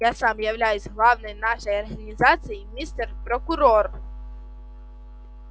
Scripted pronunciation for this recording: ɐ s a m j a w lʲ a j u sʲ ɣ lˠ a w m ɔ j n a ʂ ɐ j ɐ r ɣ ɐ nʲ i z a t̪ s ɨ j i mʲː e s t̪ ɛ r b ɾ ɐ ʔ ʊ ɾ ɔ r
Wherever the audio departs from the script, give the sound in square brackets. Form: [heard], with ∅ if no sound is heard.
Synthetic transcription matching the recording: [a] s a m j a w lʲ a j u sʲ ɣ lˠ a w [n] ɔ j n a ʂ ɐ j ɐ r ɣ ɐ nʲ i z a t̪ s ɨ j i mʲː [i] s t̪ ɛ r [p] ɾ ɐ [k] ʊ ɾ ɔ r